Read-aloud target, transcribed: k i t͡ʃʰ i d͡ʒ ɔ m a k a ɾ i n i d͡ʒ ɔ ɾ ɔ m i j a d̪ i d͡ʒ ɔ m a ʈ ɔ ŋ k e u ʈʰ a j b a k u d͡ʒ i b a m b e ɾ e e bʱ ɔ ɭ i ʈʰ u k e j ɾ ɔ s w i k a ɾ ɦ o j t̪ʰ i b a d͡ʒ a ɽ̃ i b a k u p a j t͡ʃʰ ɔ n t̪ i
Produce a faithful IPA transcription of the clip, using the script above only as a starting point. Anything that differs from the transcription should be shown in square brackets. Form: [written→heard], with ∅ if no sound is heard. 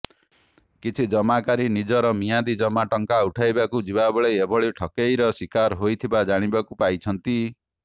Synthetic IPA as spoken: k i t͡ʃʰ i d͡ʒ ɔ m a k a ɾ i n i d͡ʒ ɔ ɾ ɔ m i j a d̪ i d͡ʒ ɔ m a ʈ ɔ ŋ k [e→a] u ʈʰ a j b a k u d͡ʒ i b a [m→∅] b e [ɾ→ɭ] e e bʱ ɔ ɭ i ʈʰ [u→ɔ] k e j ɾ ɔ s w i k a ɾ ɦ o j t̪ʰ i b a d͡ʒ a ɽ̃ i b a k u p a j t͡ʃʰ ɔ n t̪ i